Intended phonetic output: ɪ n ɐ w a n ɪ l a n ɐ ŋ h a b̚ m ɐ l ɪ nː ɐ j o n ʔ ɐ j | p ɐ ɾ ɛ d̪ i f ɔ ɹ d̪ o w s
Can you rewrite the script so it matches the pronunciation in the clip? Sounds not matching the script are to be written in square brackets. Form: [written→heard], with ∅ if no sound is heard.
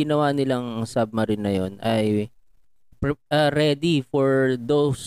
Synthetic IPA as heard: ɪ n ɐ w a n ɪ l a [n→ŋ] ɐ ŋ [h→s] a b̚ m ɐ [l→ɾ] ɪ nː ɐ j o n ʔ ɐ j | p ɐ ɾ ɛ d̪ i f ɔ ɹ d̪ o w s